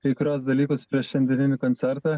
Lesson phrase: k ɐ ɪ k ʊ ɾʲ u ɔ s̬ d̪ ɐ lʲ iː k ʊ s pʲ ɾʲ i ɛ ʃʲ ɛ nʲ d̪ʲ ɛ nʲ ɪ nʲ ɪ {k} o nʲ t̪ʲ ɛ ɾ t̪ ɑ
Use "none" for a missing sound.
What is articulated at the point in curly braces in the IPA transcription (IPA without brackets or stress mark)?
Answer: k